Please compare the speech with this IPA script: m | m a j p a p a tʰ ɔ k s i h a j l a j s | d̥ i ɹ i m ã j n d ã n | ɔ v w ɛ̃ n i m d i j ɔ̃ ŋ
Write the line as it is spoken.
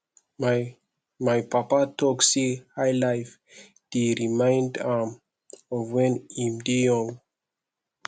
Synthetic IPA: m | m a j p a p a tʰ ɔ k s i h a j l a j f | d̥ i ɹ i m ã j n d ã m | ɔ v w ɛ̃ n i m d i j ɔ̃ ŋ